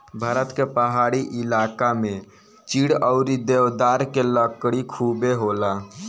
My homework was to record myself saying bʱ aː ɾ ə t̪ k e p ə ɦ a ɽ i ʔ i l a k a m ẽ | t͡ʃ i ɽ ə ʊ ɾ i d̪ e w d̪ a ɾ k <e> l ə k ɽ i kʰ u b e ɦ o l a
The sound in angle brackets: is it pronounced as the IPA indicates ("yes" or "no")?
yes